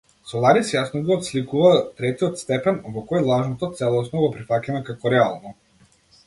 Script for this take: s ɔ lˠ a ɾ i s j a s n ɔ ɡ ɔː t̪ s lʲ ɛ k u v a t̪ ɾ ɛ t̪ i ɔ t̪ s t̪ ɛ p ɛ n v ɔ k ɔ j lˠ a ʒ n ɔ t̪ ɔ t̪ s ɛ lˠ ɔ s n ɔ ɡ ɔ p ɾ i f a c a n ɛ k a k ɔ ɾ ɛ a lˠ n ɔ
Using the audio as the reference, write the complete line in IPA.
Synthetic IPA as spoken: s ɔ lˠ a ɾ i s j a s n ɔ ɡ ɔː t̪ s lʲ i k u v a t̪ ɾ ɛ t̪ i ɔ t̪ s t̪ ɛ p ɛ n v ɔ k ɔ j lˠ a ʒ n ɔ t̪ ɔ t̪ s ɛ lˠ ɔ s n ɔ ɡ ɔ p ɾ i f a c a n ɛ k a k ɔ ɾ ɛ a lˠ n ɔ

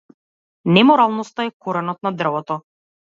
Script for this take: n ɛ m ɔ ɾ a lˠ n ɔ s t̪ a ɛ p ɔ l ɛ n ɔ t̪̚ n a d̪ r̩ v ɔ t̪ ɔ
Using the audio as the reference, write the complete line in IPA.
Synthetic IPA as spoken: n ɛ m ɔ ɾ a lˠ n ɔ s t̪ a ɛ k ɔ ɾ ɛ n ɔ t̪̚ n a d̪ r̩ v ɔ t̪ ɔ

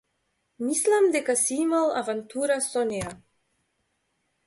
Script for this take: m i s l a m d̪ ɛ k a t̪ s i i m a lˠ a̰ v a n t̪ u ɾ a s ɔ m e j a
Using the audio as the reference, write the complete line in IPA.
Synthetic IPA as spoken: m i s l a m d̪ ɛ k a s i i m a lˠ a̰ v a n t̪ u ɾ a s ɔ n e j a

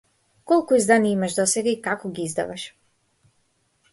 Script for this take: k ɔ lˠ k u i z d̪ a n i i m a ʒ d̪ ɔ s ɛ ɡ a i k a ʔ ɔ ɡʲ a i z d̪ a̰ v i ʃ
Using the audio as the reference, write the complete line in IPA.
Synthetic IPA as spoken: k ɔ lˠ k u i z d̪ a n i i m a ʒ d̪ ɔ s ɛ ɡ a i k a k ɔ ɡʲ i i z d̪ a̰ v a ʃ

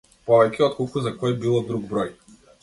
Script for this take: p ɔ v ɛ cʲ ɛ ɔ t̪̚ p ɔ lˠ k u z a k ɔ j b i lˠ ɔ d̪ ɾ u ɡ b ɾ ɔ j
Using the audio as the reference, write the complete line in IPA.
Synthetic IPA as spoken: p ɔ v ɛ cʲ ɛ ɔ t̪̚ k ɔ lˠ k u z a k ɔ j b i lˠ ɔ d̪ ɾ u ɡ b ɾ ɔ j

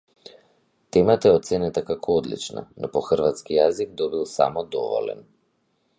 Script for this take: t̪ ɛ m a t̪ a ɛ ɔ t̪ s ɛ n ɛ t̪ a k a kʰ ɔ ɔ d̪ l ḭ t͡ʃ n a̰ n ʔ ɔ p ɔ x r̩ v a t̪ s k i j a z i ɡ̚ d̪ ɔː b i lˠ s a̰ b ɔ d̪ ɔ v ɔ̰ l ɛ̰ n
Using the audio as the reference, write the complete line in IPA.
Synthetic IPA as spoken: t̪ ɛ m a t̪ a ɛ ɔ t̪ s ɛ n ɛ t̪ a k a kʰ ɔ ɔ d̪ l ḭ t͡ʃ n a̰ n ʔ ɔ p ɔ x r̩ v a t̪ s k i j a z i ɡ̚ d̪ ɔ b i lˠ s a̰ m ɔ d̪ ɔ v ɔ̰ l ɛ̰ n

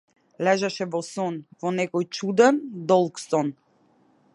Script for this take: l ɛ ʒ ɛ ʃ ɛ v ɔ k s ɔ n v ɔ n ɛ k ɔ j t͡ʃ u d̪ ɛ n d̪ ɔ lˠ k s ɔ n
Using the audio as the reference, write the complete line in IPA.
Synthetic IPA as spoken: l ɛ ʒ ɛ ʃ ɛ v ɔ s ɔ n v ɔ n ɛ k ɔ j t͡ʃ u d̪ ɛ n d̪ ɔ lˠ k s ɔ n

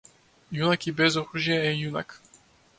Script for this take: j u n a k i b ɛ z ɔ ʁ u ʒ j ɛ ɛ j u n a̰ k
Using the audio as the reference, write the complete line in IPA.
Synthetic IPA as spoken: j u n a k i b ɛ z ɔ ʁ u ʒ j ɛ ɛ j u n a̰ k

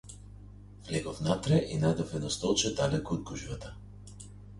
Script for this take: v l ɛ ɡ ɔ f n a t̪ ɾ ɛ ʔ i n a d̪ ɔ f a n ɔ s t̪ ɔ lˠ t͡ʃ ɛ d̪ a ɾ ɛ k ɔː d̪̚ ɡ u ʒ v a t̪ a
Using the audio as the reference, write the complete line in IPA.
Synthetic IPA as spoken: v l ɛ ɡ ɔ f n a t̪ ɾ ɛ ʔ i n a d̪ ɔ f ɛ n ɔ s t̪ ɔ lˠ t͡ʃ ɛ d̪ a l ɛ k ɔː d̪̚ ɡ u ʒ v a t̪ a

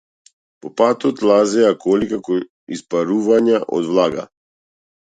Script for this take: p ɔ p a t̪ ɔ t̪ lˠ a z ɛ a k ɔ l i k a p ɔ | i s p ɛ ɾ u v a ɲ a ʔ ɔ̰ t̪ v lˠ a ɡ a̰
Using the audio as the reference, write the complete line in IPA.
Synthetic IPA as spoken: p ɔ p a t̪ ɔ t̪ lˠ a z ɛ a k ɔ l i k a k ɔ | i s p a ɾ u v a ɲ a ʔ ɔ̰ d̪ v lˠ a ɡ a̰

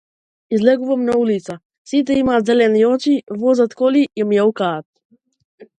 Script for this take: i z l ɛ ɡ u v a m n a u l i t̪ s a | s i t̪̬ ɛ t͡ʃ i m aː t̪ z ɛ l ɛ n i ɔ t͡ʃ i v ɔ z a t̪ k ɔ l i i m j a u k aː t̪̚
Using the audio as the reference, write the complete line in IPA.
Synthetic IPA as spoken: i z l ɛ ɡ u v a m n a u l i t̪ s a | s i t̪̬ ɛ i m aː t̪ z ɛ l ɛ n i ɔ t͡ʃ i v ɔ z a t̪ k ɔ l i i m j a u k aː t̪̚

